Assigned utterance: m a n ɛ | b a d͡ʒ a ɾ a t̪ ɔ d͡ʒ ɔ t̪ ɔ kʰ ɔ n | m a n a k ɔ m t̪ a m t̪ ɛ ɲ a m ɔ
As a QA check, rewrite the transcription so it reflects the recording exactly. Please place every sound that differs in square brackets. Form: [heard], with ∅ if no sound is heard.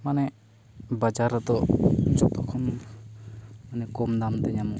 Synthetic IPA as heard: m a n ɛ | b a d͡ʒ a ɾ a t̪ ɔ d͡ʒ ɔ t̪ ɔ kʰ ɔ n | m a n [ɛ] k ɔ m [d̪] a m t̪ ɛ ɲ a m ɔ

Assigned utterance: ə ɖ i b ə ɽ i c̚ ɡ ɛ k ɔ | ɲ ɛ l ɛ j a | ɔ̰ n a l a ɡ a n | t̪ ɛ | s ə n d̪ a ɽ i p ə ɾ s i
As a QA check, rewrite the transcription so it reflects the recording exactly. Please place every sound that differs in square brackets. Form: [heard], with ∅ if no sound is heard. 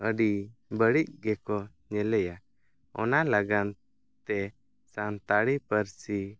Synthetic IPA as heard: ə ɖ i b ə ɽ i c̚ ɡ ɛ k ɔ | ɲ ɛ l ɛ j a | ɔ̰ n a l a ɡ a n | t̪ ɛ | s [a] n [t̪] a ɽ i p ə ɾ s i

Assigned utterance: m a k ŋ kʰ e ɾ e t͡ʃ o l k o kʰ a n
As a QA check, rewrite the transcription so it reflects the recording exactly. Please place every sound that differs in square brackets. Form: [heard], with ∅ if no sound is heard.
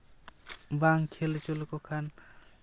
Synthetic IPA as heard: [b] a [∅] ŋ kʰ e [l] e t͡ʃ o l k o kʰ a n

